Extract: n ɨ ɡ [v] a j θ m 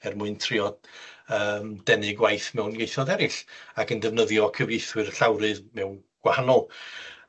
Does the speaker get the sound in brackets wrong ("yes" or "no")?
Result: yes